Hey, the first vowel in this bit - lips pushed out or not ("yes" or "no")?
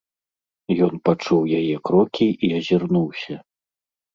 yes